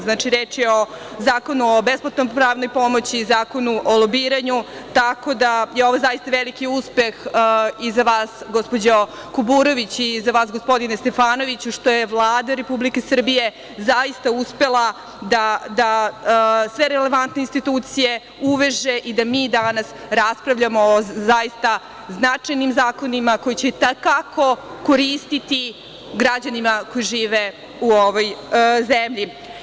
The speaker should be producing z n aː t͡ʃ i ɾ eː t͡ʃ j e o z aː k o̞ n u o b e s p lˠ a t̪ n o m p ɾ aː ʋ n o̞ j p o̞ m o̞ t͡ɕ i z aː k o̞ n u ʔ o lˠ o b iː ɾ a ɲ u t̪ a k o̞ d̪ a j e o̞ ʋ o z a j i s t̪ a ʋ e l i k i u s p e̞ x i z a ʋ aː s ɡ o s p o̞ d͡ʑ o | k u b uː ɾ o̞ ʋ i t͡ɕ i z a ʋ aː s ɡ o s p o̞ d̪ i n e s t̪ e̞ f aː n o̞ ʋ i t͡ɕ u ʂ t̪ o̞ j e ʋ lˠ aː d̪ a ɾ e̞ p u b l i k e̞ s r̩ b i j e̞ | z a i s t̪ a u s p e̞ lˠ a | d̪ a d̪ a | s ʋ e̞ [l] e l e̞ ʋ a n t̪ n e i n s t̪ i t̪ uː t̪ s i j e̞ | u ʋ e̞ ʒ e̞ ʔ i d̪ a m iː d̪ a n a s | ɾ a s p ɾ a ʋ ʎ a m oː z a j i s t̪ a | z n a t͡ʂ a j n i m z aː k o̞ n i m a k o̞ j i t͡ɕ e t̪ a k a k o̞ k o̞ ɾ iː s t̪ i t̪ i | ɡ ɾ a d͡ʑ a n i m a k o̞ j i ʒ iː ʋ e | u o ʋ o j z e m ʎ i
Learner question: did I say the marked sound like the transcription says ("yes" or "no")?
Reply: no